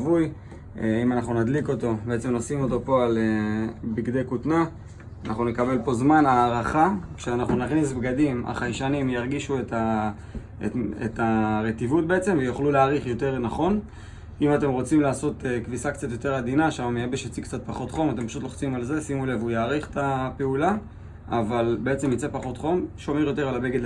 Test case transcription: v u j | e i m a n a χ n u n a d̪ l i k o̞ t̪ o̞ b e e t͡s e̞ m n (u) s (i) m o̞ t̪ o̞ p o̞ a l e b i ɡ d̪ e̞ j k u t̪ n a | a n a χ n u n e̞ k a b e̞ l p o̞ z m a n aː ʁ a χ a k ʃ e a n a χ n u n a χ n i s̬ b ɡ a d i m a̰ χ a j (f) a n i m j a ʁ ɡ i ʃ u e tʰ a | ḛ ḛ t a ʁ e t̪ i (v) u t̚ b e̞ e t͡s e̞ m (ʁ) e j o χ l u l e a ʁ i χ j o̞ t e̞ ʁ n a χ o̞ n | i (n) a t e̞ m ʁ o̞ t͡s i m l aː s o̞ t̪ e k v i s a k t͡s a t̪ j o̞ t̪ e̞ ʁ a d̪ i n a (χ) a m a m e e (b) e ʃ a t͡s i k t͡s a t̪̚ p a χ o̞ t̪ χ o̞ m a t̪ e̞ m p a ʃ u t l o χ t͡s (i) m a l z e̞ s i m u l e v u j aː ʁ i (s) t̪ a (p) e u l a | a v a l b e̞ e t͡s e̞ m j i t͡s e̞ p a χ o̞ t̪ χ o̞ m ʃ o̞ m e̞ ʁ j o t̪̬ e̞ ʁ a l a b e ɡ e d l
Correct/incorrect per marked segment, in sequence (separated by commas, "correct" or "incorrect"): incorrect, correct, incorrect, correct, incorrect, incorrect, incorrect, correct, correct, incorrect, correct